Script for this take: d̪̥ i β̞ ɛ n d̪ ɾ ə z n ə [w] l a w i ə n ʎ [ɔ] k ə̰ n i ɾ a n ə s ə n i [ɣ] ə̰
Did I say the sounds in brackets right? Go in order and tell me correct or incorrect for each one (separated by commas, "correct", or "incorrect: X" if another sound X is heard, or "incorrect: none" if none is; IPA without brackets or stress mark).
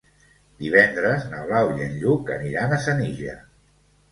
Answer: incorrect: β, incorrect: u, incorrect: ʒ